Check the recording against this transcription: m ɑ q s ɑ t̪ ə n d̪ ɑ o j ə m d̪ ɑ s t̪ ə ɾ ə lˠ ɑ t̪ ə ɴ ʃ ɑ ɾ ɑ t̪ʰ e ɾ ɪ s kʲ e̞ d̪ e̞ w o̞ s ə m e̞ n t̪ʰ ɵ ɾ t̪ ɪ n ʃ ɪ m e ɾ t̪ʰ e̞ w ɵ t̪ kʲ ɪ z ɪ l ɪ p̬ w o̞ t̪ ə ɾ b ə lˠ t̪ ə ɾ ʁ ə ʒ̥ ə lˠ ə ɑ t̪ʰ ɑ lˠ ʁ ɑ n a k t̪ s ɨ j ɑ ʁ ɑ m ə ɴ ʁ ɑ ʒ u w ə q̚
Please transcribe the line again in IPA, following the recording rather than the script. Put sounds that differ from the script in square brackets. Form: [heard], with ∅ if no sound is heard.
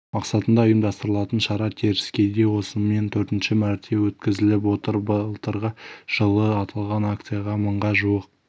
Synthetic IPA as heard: m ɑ q s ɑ t̪ ə n d̪ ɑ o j ə m d̪ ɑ s t̪ ə ɾ ə lˠ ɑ t̪ ə [n] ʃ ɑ ɾ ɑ t̪ʰ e ɾ ɪ s kʲ e̞ d̪ e̞ w o̞ s ə m e̞ n t̪ʰ ɵ ɾ t̪ ɪ n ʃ ɪ m [æ] ɾ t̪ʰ e̞ w ɵ t̪ kʲ ɪ z ɪ l ɪ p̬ w o̞ t̪ ə ɾ b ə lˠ t̪ ə ɾ ʁ ə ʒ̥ ə lˠ ə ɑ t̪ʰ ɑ lˠ ʁ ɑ n a k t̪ s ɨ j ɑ ʁ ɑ m ə ɴ ʁ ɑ ʒ u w ə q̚